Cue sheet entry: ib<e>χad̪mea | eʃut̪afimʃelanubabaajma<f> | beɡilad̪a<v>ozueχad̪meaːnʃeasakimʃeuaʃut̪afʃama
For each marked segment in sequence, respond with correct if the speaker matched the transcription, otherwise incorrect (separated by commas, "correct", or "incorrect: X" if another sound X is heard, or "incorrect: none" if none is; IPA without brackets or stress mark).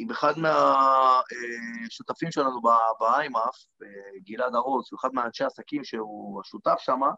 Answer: correct, correct, incorrect: ʁ